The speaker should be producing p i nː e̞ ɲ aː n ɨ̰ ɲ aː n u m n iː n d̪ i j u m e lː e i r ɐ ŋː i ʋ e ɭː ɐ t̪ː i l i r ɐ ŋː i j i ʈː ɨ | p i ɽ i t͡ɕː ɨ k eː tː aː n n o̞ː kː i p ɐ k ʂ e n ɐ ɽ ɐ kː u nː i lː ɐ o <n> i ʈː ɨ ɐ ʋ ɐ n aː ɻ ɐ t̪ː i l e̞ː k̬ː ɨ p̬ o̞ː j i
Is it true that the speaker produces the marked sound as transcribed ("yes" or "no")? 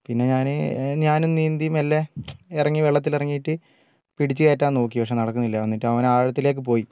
no